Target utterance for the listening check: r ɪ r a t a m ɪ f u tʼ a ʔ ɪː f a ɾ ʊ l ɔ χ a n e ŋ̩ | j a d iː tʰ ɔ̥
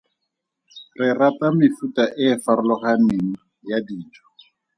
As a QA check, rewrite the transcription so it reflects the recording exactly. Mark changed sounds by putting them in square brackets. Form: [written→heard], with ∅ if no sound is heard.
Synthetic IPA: r ɪ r a t a m ɪ f u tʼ a ʔ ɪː f a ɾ ʊ l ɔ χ a n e ŋ̩ | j a d iː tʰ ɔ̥